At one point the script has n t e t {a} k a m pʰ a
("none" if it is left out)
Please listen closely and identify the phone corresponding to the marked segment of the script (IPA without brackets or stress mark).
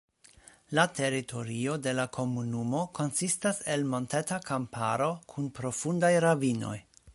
a